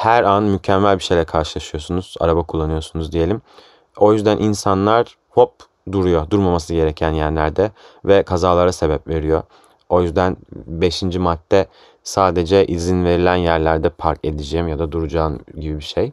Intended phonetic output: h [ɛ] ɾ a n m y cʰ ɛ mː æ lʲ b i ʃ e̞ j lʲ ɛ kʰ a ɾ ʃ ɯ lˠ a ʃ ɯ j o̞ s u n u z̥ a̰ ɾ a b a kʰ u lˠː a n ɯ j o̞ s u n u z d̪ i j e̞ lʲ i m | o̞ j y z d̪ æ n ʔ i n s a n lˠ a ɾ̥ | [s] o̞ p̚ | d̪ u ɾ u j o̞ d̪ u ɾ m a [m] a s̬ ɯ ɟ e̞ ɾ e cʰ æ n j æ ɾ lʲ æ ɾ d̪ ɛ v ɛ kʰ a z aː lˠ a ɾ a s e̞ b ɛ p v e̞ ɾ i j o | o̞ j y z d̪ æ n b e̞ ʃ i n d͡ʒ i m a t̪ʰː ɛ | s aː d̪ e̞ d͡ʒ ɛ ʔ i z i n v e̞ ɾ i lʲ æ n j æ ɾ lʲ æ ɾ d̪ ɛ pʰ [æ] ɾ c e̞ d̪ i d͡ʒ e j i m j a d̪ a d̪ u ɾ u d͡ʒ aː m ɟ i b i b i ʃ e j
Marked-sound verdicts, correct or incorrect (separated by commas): incorrect, incorrect, correct, incorrect